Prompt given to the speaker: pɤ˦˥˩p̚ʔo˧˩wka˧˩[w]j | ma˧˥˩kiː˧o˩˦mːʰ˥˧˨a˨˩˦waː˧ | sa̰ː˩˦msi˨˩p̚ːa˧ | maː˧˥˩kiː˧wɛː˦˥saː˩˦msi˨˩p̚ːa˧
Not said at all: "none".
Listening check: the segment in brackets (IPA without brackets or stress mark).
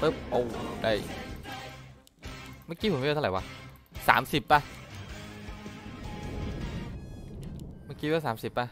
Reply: none